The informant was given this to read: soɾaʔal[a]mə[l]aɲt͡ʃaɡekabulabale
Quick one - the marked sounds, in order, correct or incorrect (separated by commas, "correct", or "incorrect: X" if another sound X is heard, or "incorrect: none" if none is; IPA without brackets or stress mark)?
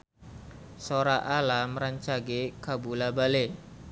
correct, incorrect: ɾ